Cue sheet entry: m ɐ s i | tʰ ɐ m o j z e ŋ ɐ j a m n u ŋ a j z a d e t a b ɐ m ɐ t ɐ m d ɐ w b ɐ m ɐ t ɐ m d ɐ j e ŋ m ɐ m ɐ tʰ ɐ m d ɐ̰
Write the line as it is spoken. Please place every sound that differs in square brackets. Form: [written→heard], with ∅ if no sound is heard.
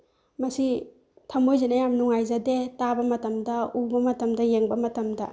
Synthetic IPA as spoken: m ɐ s i | tʰ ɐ m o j z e [ŋ→n] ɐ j a m n u ŋ a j z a d e t a b ɐ m ɐ t ɐ m d ɐ [w→u] b ɐ m ɐ t ɐ m d ɐ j e ŋ [m→b] ɐ m ɐ [tʰ→t] ɐ m d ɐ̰